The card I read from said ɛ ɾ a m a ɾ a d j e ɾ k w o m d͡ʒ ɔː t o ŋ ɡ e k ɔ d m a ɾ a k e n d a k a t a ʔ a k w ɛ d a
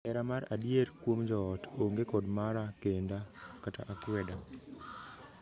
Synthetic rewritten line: ɛ ɾ a m a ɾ a d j e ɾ k w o m d͡ʒ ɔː t o ŋ ɡ e k ɔ d m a ɾ a k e n d a k a t a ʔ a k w ɛ d a